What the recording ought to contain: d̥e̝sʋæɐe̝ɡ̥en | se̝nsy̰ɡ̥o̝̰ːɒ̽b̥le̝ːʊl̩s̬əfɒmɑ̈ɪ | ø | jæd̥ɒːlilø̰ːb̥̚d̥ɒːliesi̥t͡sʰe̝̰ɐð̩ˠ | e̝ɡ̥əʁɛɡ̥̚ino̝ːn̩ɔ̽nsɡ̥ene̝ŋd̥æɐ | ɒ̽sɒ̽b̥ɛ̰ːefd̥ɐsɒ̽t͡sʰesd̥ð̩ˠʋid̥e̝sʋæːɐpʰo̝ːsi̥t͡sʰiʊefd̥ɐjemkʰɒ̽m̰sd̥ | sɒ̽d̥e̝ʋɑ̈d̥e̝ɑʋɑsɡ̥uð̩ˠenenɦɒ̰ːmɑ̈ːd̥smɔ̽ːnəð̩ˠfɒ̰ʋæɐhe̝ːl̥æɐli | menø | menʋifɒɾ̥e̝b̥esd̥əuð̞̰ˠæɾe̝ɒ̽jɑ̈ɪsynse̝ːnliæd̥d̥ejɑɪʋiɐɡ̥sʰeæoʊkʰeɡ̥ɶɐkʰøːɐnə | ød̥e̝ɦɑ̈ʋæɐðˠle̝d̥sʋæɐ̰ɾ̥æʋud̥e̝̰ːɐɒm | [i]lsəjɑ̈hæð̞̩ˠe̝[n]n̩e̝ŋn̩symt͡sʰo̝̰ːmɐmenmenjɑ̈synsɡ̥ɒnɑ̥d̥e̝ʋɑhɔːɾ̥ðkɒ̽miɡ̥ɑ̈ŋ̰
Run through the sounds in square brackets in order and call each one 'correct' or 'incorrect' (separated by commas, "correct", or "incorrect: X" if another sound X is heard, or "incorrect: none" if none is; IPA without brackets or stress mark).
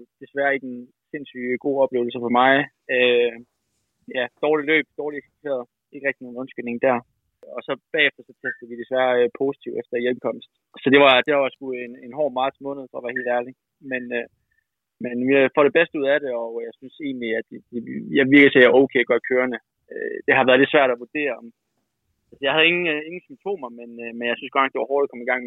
incorrect: æ, incorrect: ŋ